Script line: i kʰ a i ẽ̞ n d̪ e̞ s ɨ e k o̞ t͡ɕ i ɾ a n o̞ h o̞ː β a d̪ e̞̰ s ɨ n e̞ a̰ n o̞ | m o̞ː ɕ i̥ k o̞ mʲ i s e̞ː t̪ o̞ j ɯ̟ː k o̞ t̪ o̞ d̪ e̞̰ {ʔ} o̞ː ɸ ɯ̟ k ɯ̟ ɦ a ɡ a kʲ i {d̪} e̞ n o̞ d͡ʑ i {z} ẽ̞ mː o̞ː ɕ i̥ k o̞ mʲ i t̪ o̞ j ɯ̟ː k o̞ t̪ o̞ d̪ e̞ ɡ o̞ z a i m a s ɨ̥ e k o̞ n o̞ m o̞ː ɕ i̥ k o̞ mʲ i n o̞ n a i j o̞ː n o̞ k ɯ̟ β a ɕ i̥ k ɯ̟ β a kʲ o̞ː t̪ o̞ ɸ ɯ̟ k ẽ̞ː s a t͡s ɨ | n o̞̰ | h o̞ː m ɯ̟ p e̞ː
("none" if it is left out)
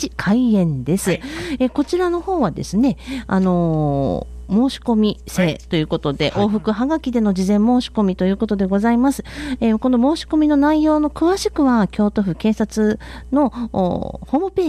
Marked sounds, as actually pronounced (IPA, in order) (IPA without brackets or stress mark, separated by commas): ʔ, d̪, z